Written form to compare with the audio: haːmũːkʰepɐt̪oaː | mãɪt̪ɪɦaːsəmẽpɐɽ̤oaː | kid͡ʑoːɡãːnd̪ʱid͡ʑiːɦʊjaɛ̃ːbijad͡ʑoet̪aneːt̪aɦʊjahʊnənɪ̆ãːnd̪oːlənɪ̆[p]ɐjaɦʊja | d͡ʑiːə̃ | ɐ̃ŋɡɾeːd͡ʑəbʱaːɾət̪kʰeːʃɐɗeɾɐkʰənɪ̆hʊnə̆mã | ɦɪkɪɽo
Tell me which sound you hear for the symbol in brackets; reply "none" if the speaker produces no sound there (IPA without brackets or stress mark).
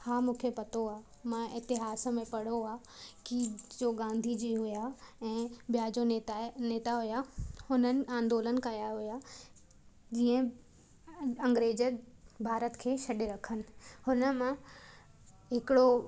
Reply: k